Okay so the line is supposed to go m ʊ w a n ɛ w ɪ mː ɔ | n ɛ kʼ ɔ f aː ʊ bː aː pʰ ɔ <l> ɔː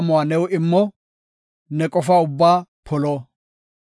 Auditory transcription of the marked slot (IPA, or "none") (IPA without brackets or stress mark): l